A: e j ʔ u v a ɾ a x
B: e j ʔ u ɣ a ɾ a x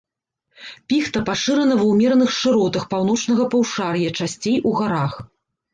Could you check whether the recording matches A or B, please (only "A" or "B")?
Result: B